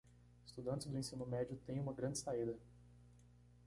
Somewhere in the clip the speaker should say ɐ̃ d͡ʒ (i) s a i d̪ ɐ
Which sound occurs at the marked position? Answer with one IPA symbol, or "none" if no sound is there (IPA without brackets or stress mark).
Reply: ɪ